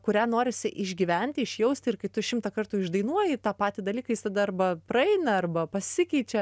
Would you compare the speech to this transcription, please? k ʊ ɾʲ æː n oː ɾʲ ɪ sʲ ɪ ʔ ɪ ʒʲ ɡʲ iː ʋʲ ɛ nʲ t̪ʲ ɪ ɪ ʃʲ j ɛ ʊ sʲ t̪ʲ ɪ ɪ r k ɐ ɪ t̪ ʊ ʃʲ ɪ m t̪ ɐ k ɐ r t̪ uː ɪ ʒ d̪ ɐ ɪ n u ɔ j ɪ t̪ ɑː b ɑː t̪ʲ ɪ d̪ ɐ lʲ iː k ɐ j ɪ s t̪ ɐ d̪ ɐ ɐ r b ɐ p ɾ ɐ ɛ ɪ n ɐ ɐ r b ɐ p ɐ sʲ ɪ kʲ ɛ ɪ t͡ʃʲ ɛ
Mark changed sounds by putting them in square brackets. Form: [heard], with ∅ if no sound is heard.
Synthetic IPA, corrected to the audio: k ʊ ɾʲ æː n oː ɾʲ ɪ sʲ ɪ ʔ ɪ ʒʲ ɡʲ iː ʋʲ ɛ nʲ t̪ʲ ɪ ɪ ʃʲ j ɛ ʊ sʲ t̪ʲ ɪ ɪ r k ɐ ɪ t̪ ʊ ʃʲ ɪ m t̪ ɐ k ɐ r t̪ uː ɪ ʒ d̪ ɐ ɪ n u ɔ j ɪ t̪ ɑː [p] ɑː t̪ʲ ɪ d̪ ɐ lʲ iː k ɐ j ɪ s t̪ ɐ d̪ ɐ ɐ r b ɐ p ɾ ɐ ɛ ɪ n ɐ ɐ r b ɐ p ɐ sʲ ɪ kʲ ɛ ɪ t͡ʃʲ ɛ